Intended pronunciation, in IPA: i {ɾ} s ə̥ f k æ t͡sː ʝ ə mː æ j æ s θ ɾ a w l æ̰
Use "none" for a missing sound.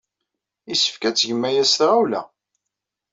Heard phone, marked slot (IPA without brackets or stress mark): none